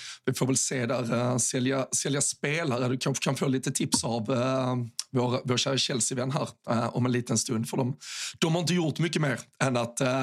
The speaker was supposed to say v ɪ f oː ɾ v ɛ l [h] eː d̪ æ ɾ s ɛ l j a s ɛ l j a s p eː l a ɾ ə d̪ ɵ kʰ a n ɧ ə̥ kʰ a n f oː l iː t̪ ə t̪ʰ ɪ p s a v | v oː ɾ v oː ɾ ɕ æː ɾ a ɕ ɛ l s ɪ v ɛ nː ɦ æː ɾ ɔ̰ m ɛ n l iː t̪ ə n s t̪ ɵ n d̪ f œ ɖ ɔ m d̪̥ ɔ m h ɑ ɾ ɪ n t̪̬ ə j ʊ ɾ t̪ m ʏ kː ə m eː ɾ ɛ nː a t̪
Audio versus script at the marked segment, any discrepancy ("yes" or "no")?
yes